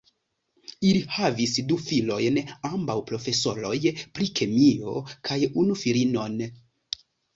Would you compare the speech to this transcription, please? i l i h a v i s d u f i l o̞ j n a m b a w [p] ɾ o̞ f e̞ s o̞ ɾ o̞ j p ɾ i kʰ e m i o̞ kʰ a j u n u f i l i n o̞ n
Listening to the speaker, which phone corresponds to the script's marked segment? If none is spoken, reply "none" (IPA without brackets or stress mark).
p